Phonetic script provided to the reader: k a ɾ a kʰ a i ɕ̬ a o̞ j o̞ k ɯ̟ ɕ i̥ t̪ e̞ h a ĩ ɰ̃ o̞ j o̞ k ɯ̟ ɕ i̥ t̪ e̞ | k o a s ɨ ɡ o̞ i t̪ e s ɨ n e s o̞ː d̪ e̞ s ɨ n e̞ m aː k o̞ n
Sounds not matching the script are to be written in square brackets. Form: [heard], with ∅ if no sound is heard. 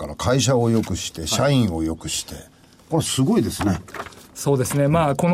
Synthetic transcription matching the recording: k a ɾ a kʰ a i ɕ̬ a o̞ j o̞ k ɯ̟ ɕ i̥ t̪ e̞ [ɕ] a ĩ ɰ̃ o̞ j o̞ k ɯ̟ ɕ i̥ t̪ e̞ | k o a s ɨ ɡ o̞ i [d̪] e s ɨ n e s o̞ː d̪ e̞ s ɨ n e̞ m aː k o̞ n